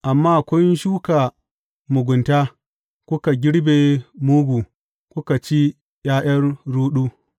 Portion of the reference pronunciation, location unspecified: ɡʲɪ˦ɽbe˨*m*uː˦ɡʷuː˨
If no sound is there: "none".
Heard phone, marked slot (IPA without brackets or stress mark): m